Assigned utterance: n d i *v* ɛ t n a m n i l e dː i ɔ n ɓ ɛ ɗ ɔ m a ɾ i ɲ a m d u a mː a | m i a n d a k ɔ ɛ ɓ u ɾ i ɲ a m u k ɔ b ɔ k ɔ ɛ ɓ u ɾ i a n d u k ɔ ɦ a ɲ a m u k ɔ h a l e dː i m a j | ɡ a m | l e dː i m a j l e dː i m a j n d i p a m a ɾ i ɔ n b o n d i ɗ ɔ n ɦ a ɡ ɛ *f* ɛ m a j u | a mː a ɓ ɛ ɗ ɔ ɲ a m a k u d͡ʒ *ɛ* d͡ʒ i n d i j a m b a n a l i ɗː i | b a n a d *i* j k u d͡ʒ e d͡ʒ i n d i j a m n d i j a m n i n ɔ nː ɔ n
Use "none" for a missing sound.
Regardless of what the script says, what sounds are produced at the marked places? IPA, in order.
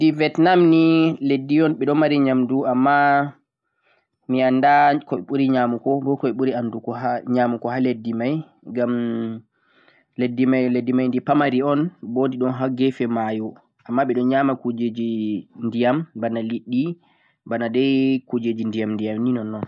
v, f, e, ɛ

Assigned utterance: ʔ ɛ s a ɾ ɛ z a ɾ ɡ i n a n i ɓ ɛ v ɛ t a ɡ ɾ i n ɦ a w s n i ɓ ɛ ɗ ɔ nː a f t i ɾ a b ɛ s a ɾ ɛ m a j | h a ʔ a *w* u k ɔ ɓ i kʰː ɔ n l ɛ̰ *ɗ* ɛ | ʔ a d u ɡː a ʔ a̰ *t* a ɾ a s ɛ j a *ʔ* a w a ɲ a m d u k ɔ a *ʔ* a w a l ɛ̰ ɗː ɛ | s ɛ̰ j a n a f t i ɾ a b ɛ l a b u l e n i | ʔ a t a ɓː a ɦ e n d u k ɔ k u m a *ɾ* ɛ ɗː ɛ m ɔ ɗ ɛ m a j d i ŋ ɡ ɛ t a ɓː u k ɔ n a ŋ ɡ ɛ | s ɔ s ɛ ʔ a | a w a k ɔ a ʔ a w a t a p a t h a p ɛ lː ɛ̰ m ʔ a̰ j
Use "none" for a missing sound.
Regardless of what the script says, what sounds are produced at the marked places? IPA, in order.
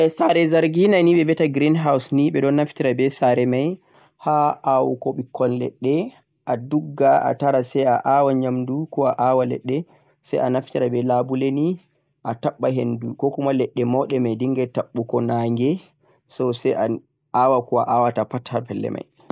w, ɗː, t, ʔ, ʔ, l

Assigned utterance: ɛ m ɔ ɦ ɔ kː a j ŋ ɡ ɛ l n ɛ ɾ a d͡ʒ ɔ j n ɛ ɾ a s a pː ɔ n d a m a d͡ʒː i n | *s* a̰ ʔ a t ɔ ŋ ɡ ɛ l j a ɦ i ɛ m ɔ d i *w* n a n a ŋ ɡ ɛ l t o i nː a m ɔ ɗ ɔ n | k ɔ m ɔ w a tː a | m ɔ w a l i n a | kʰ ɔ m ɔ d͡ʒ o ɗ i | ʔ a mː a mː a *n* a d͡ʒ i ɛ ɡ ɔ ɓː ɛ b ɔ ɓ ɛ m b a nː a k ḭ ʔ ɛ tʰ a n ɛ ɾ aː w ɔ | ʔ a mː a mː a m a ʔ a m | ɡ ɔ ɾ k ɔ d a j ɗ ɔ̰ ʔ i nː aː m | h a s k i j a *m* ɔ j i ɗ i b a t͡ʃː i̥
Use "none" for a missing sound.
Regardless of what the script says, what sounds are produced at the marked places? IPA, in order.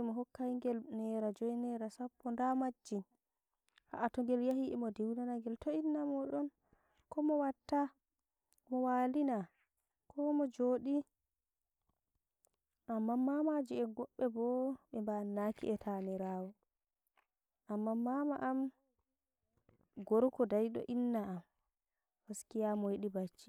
h, w, m, m

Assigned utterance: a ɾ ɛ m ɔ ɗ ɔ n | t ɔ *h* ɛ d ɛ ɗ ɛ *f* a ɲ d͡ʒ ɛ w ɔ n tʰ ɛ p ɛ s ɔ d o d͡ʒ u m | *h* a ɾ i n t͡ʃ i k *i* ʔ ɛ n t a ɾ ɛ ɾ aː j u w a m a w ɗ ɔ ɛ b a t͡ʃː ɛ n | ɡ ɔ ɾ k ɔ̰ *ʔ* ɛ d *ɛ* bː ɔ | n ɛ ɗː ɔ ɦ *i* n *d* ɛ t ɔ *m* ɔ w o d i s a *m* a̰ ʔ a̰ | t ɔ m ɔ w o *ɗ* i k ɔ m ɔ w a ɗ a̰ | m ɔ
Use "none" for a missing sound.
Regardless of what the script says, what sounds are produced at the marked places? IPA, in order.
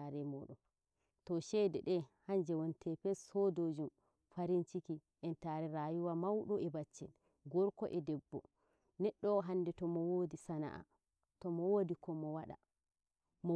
ʃ, h, f, i, ʔ, ɛ, a, d, m, n, d

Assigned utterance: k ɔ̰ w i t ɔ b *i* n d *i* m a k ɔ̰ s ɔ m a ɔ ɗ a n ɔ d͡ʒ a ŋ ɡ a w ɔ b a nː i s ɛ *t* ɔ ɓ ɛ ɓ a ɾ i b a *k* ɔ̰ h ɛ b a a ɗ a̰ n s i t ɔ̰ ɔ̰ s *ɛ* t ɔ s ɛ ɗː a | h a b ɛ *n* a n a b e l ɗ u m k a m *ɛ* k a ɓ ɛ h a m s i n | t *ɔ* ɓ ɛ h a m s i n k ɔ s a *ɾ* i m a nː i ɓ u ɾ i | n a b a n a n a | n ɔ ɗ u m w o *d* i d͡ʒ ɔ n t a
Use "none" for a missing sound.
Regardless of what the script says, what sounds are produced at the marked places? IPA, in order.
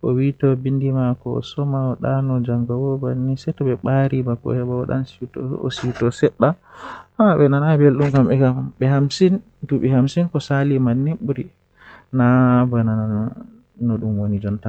i, i, t, k, i, n, ɛ, u, l, n

